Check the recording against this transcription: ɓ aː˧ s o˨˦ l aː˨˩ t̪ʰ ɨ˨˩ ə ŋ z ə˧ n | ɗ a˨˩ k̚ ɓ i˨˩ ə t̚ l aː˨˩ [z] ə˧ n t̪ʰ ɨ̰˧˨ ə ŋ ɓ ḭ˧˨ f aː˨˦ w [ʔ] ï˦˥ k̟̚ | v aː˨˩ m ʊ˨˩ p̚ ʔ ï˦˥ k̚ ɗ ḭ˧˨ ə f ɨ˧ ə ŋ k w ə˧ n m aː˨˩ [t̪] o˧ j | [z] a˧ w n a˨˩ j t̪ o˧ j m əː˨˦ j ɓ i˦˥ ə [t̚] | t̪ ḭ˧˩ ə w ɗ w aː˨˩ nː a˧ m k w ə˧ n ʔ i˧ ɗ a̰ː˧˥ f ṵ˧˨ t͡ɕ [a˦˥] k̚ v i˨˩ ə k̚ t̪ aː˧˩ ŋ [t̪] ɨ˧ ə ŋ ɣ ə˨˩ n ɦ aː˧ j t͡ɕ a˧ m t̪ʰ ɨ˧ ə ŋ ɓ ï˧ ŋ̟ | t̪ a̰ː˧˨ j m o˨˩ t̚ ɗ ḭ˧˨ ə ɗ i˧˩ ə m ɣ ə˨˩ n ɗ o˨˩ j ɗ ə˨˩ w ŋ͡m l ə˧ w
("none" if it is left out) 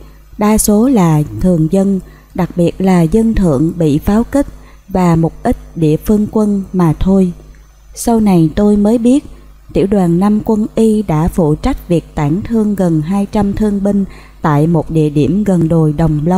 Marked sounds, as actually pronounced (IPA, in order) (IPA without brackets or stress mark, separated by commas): z, k, t̪ʰ, s, t̚, a˦˥, t̪ʰ